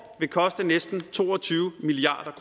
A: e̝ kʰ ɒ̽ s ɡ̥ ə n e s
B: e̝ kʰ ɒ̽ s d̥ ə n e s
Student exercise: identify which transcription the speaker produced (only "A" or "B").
B